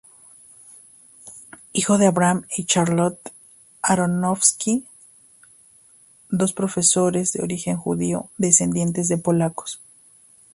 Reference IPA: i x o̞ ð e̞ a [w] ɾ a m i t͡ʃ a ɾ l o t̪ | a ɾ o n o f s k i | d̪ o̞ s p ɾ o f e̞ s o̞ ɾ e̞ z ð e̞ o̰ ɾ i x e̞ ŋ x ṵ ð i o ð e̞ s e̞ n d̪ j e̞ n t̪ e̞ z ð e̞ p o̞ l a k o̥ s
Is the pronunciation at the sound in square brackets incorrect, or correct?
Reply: incorrect